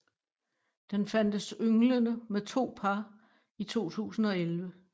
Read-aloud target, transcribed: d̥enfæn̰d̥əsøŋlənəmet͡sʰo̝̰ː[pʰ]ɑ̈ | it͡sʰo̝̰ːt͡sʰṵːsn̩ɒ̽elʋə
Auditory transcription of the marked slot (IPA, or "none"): pʰ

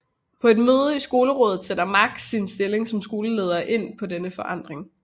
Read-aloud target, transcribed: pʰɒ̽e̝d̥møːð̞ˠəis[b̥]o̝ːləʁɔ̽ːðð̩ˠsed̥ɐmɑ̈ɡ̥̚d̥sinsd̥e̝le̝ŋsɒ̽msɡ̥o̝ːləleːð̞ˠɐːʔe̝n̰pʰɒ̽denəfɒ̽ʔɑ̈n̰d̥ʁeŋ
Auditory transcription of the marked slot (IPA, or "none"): ɡ̥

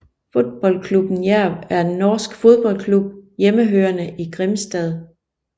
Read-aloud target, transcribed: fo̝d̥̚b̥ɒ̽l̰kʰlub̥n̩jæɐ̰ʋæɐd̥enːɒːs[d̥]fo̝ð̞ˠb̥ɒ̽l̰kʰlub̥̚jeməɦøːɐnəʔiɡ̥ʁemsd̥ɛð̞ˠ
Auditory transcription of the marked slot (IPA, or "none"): ɡ̥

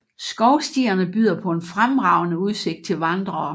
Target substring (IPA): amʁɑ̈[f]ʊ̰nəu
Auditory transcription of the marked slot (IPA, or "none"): none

